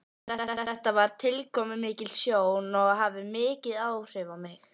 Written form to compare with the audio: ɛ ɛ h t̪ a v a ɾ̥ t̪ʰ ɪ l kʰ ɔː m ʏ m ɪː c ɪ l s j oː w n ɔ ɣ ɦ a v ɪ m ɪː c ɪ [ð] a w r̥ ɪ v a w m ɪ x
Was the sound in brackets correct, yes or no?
yes